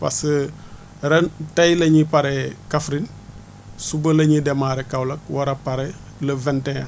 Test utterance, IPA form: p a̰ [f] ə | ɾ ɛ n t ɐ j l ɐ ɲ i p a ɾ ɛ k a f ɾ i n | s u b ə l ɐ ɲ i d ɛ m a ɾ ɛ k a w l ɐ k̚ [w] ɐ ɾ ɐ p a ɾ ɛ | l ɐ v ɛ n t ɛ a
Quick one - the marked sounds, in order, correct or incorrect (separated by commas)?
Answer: incorrect, correct